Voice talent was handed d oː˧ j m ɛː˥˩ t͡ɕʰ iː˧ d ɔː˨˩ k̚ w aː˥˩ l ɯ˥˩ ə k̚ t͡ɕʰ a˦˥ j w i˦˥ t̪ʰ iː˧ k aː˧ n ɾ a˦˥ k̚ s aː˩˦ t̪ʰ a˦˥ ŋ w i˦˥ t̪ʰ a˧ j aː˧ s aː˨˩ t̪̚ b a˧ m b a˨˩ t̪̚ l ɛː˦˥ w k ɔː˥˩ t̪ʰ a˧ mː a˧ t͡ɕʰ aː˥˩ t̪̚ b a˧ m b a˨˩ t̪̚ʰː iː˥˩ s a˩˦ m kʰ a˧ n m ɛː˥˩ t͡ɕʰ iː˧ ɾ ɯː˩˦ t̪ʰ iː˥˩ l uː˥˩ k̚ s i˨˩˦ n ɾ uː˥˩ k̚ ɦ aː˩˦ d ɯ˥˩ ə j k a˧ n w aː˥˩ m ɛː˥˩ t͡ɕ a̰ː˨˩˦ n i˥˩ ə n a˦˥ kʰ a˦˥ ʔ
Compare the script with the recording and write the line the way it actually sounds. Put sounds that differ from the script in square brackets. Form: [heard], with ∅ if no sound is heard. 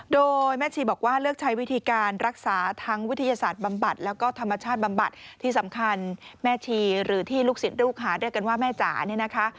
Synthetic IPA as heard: d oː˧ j m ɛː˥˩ t͡ɕʰ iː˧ [b] ɔː˨˩ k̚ w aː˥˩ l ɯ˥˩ ə k̚ t͡ɕʰ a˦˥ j w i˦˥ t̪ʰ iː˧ k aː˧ n ɾ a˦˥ k̚ s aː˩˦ t̪ʰ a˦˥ ŋ w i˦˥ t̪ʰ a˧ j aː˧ s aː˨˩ t̪̚ b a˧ m b a˨˩ t̪̚ l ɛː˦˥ w k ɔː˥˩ t̪ʰ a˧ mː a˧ t͡ɕʰ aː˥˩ t̪̚ b a˧ m b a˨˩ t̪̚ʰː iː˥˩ s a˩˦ m kʰ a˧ n m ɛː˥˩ t͡ɕʰ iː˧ ɾ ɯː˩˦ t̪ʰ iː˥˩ l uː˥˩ k̚ s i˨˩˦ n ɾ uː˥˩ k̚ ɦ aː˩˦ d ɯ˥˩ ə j k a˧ n w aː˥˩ m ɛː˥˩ t͡ɕ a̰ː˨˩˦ n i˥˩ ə n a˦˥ kʰ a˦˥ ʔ